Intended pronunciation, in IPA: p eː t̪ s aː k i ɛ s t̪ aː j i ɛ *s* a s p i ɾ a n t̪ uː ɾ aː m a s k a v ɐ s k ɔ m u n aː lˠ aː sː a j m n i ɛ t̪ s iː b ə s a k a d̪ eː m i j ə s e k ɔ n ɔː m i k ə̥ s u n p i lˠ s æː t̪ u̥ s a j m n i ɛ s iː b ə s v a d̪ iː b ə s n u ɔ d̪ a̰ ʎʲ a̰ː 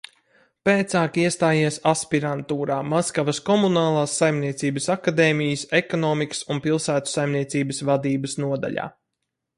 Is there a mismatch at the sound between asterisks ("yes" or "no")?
no